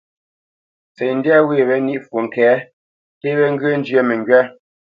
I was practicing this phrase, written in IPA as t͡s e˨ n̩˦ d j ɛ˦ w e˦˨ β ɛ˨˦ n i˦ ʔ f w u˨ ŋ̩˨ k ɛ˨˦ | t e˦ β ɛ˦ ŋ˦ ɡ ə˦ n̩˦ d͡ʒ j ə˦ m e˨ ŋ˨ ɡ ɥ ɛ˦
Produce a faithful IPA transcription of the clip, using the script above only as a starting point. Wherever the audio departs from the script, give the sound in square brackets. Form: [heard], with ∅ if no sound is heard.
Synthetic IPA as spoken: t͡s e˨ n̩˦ d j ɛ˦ w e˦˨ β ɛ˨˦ n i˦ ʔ f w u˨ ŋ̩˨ k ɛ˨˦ | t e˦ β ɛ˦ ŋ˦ ɡ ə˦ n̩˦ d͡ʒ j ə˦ m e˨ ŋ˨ ɡ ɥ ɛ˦